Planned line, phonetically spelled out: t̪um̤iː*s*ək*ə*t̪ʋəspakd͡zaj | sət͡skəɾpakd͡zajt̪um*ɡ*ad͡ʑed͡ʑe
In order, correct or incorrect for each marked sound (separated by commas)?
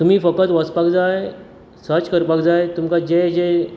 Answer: incorrect, correct, incorrect